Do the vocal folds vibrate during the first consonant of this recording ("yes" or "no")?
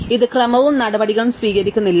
yes